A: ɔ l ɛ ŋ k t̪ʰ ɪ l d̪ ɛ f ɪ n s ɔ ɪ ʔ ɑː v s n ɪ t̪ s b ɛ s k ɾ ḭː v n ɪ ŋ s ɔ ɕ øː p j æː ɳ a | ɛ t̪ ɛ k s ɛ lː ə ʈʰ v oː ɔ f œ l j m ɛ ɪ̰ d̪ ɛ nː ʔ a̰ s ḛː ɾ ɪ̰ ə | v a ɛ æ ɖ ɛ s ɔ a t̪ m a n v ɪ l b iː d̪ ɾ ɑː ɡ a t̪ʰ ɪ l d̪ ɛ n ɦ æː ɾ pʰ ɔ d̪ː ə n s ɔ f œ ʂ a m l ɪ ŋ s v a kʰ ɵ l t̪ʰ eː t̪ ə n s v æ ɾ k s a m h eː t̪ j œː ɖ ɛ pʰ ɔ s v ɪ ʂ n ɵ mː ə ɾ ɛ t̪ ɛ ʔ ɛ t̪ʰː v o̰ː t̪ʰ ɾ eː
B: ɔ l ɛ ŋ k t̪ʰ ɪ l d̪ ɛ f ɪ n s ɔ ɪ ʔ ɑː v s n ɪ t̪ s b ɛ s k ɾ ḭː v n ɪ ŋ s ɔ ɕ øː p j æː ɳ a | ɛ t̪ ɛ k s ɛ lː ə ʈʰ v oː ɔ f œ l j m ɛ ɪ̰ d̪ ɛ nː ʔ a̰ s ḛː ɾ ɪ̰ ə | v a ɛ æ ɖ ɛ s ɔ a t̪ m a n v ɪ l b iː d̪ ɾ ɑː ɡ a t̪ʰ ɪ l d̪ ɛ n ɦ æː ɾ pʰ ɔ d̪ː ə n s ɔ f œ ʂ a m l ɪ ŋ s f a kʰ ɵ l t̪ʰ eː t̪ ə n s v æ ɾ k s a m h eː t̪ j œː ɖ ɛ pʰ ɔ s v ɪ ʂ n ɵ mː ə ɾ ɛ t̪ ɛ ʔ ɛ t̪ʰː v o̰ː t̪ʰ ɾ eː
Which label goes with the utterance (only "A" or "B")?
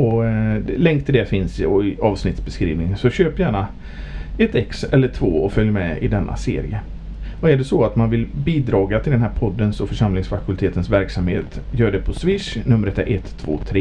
B